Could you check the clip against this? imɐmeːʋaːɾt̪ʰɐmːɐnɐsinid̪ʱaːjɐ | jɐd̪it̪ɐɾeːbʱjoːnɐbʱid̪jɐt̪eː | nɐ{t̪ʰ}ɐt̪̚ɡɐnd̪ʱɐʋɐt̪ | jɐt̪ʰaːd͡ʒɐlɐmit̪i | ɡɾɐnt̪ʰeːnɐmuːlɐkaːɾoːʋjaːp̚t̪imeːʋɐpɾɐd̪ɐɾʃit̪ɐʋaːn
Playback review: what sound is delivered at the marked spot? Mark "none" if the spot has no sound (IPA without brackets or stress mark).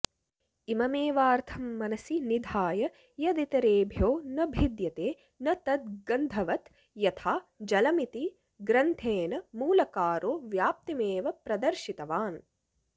t̪